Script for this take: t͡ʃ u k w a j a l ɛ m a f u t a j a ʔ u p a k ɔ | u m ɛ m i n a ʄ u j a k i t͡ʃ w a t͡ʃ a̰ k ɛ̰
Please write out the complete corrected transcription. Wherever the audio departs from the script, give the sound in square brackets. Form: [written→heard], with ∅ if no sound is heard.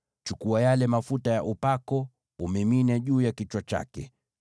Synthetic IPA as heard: t͡ʃ u k [w→u] a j a l ɛ m a f u t a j a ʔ u p a k ɔ | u m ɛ m i n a ʄ [u→uː] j a k i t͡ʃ w a t͡ʃ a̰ k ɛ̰